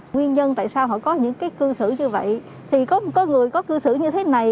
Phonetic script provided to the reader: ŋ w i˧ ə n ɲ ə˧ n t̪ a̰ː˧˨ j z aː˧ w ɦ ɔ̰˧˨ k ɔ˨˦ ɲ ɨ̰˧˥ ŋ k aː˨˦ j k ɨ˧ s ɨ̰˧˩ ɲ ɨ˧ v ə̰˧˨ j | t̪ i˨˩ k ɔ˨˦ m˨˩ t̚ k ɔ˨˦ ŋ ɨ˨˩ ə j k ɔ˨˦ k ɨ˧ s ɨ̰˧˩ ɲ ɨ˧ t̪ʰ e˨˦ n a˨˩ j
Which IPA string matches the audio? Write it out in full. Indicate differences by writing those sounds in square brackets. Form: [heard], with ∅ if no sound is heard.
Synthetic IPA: ŋ w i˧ ə n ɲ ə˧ n t̪ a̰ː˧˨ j [s] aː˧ w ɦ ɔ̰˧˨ k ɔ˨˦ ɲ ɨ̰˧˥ ŋ k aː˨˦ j k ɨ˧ s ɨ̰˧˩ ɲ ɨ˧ v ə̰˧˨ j | [t̪ʰ] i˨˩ k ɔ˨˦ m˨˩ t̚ k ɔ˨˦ ŋ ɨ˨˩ ə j k ɔ˨˦ k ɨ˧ s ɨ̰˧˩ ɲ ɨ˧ t̪ʰ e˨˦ n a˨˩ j